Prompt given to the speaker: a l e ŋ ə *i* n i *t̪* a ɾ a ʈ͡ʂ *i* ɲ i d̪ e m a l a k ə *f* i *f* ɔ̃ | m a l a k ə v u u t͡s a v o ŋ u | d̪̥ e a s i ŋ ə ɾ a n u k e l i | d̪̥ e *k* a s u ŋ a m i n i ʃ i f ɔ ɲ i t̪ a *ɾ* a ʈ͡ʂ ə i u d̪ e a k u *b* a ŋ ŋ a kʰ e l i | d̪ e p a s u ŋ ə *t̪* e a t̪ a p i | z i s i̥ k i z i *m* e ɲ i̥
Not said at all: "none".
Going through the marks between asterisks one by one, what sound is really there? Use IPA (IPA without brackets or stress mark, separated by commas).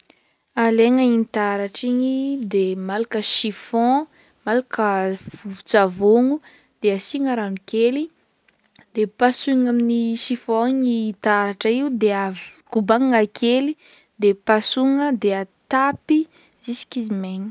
i, t̪, i, ʃ, f, p, ɾ, b, d̪, m